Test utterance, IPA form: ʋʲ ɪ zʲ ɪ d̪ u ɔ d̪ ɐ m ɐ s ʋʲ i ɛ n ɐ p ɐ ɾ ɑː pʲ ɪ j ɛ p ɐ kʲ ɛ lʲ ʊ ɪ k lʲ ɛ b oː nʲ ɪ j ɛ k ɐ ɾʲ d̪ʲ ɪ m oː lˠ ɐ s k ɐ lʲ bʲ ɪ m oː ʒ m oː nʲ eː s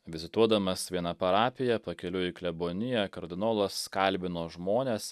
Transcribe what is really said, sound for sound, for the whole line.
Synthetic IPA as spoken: ʋʲ ɪ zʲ ɪ t̪ u ɔ d̪ ɐ m ɐ s ʋʲ i ɛ n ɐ p ɐ ɾ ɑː pʲ ɪ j ɛ p ɐ kʲ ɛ lʲ ʊ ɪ k lʲ ɛ b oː nʲ ɪ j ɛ k ɐ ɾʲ d̪ʲ ɪ n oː lˠ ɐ s k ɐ lʲ bʲ ɪ n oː ʒ m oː nʲ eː s